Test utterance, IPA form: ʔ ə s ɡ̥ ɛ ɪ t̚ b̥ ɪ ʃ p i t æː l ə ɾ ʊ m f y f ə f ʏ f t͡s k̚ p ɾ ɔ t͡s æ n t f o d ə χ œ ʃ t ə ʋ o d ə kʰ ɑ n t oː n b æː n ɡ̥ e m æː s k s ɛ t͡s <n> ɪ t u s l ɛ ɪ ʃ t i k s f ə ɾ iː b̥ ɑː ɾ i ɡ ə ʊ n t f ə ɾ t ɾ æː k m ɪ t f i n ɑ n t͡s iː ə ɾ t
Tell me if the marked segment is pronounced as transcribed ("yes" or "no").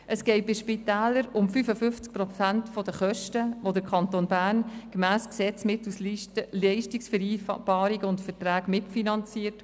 no